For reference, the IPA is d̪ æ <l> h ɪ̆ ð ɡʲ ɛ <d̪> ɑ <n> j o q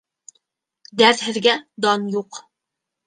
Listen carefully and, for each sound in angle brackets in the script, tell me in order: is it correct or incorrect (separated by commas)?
incorrect, correct, correct